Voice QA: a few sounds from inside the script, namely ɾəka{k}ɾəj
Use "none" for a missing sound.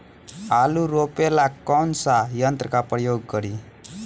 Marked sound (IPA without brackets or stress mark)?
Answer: p